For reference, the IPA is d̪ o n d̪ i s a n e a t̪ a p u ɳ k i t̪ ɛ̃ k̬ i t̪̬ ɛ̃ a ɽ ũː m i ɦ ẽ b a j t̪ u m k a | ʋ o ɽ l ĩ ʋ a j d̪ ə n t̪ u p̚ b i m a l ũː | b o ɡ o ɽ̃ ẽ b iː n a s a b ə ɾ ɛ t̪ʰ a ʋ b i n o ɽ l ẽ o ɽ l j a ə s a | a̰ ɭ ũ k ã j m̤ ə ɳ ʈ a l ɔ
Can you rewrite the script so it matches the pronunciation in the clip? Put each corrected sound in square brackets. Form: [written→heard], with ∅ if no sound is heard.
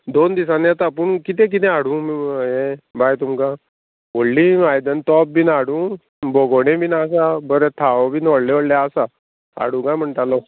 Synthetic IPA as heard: d̪ o n d̪ i s a n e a t̪ a p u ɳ k i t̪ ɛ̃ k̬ i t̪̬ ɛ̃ a ɽ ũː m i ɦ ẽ b a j t̪ u m k a | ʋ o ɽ l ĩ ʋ a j d̪ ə n t̪ [u→ɔ] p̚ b i [m→n] a [l→ɽ] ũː | b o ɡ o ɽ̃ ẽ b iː n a s a b ə ɾ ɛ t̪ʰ a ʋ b i n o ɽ l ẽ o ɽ l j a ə s a | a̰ [ɭ→ɽ] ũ k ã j m̤ ə ɳ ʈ a l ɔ